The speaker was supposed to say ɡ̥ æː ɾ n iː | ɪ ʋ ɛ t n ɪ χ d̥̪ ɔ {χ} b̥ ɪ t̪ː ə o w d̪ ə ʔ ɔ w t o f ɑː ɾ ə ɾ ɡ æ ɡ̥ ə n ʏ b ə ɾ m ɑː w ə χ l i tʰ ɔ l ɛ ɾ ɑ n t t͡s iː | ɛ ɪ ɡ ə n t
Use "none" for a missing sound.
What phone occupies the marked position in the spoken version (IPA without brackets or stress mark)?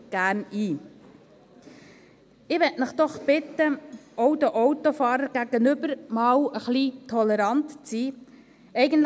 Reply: χ